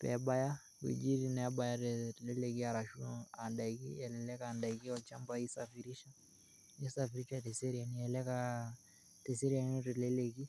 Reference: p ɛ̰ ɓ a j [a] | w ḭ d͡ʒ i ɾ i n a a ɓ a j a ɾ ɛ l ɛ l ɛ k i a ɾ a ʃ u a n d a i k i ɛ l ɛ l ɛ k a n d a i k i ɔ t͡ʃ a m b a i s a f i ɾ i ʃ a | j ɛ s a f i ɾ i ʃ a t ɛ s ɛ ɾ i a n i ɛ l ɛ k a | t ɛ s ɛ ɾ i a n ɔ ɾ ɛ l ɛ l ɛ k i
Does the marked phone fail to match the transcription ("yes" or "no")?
no